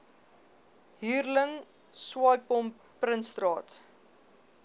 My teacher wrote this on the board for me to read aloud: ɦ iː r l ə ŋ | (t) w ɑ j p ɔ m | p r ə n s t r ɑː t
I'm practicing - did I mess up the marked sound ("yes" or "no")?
yes